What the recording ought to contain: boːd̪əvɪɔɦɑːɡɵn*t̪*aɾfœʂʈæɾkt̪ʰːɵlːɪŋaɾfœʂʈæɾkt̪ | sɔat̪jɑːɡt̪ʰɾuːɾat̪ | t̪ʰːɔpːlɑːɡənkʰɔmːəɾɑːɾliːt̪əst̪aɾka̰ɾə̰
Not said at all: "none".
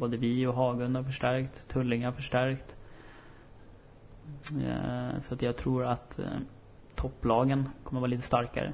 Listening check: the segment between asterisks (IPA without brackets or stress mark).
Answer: d̪